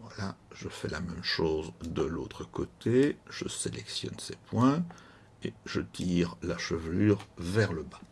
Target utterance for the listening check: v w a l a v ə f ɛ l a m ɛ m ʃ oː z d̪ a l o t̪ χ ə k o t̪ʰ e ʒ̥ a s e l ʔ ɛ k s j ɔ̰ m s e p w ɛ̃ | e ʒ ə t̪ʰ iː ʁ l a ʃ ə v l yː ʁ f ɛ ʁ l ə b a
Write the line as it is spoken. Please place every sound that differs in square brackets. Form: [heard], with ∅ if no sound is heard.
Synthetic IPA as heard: v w a l a [ʒ] ə f ɛ l a m ɛ m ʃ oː z d̪ [ə] l o t̪ χ ə k o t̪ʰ e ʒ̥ [ə] s e l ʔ ɛ k s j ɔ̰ [n] s e p w ɛ̃ | e ʒ ə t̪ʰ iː ʁ l a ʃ ə v l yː ʁ [v] ɛ ʁ l ə b a